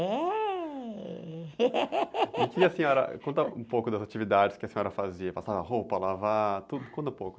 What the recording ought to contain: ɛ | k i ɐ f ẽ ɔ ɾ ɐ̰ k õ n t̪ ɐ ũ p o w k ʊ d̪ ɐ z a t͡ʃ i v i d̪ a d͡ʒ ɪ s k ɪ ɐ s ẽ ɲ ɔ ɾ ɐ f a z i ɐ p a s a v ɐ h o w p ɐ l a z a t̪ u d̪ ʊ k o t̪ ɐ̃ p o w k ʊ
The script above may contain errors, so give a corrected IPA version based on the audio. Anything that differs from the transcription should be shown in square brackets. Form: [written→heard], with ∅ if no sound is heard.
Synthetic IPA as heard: ɛ | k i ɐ [f→s] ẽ ɔ ɾ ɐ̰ k õ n t̪ ɐ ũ p o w k ʊ d̪ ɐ z a t͡ʃ i v i d̪ a d͡ʒ ɪ s k ɪ ɐ s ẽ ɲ ɔ ɾ ɐ f a z i ɐ p a s a v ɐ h o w p ɐ l a [z→v] a t̪ u d̪ ʊ k [o→õ] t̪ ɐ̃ p o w k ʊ